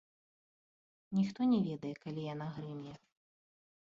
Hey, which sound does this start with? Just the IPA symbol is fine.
nʲ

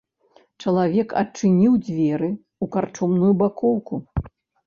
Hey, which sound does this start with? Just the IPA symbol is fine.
t͡ʂ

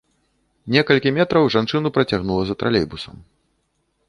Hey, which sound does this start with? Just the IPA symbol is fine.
nʲ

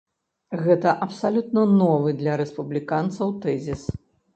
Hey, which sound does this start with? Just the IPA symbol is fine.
ɣ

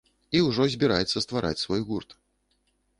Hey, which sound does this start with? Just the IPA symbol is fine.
i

